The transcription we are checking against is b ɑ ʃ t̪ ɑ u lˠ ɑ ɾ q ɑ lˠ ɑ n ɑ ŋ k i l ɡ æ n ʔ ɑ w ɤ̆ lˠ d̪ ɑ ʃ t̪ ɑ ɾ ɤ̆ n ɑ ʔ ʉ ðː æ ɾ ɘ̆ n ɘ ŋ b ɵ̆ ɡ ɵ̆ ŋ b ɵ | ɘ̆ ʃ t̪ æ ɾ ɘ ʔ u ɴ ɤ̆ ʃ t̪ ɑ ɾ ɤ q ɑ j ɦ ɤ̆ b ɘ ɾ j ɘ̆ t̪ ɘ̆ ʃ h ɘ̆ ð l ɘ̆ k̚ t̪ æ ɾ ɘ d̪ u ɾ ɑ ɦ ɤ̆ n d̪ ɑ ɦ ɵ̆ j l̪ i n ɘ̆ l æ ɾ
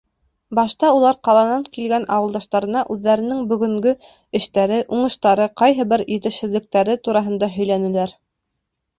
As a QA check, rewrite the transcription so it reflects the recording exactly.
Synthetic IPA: b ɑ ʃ t̪ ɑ u lˠ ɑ ɾ q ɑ lˠ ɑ n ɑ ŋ k i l ɡ æ n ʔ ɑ w ɤ̆ lˠ d̪ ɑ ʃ t̪ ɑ ɾ ɤ̆ n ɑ ʔ ʉ ðː æ ɾ ɘ̆ n ɘ ŋ b ɵ̆ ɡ ɵ̆ ŋ ɡ ɵ | ɘ̆ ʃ t̪ æ ɾ ɘ ʔ u ɴ ɤ̆ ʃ t̪ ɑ ɾ ɤ q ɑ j ɦ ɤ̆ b ɘ ɾ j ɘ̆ t̪ ɘ̆ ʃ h ɘ̆ ð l ɘ̆ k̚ t̪ æ ɾ ɘ t̪ u ɾ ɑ ɦ ɤ̆ n d̪ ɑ ɦ ɵ̆ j l̪ æ n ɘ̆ l æ ɾ